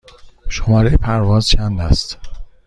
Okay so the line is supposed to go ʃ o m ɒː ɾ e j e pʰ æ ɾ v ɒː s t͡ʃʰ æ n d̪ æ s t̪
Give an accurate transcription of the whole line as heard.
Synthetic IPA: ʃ o m ɒː ɾ e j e pʰ æ ɾ v ɒː z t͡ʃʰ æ n d̪ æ s t̪